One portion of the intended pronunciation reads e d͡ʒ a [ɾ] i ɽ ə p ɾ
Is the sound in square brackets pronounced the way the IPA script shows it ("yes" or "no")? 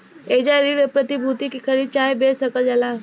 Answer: yes